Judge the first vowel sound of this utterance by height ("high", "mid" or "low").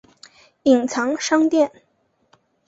high